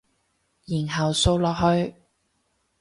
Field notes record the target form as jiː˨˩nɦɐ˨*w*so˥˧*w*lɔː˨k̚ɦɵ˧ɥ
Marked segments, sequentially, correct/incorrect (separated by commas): correct, correct